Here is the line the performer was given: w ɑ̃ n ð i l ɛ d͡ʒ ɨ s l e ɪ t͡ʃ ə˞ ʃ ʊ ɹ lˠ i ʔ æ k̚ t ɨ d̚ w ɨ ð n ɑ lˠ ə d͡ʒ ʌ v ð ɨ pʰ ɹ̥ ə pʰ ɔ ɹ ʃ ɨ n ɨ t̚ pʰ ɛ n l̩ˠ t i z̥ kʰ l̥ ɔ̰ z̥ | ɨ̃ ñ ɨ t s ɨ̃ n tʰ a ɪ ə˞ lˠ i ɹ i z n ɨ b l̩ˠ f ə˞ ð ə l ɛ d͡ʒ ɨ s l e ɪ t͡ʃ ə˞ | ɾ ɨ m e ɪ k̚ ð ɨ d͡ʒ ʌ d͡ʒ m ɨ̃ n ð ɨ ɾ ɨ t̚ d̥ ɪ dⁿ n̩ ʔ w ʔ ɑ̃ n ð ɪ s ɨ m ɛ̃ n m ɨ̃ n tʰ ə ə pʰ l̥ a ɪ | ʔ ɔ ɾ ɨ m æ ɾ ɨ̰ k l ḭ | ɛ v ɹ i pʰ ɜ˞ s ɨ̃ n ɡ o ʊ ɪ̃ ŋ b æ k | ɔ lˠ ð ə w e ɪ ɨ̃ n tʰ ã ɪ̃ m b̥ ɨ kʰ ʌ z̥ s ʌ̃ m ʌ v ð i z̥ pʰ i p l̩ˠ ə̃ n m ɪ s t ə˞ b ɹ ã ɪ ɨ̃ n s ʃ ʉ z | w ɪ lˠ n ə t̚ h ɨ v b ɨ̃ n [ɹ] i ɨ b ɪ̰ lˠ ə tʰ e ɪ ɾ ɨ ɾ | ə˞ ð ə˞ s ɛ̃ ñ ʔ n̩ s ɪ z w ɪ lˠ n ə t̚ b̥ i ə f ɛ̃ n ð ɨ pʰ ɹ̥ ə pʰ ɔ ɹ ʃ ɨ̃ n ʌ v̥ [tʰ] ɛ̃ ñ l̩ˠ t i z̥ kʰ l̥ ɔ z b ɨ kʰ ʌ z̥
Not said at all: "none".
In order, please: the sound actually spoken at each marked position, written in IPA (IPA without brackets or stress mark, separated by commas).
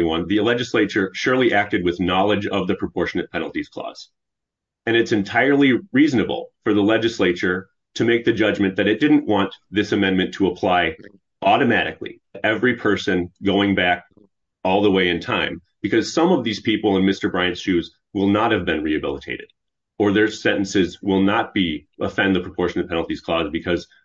ɹ, pʰ